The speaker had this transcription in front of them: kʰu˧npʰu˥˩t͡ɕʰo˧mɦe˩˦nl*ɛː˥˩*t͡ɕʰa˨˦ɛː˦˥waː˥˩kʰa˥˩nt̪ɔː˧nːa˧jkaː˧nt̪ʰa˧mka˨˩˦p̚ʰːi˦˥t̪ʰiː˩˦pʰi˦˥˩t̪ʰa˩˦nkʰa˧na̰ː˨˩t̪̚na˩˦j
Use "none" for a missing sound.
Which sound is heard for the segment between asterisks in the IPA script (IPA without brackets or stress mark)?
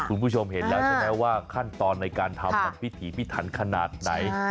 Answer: ɛː˦˥